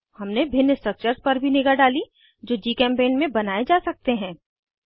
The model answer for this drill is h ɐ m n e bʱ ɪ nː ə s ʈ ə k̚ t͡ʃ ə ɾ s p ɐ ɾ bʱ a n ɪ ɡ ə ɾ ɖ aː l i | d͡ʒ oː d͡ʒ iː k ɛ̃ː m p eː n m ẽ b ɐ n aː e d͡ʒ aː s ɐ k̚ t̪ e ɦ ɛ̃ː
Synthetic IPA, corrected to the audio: h ɐ m n e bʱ ɪ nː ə s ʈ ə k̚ t͡ʃ ə ɾ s p ɐ ɾ bʱ i n ɪ ɡ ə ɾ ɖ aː l i | d͡ʒ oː d͡ʒ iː k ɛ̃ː m p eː n m ẽ b ɐ n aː e d͡ʒ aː s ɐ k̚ t̪ e ɦ ɛ̃ː